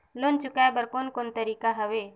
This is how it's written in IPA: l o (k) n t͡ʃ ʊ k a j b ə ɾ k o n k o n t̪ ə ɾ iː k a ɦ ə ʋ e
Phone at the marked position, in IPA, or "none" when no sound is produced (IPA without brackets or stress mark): none